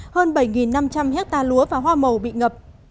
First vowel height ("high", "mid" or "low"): mid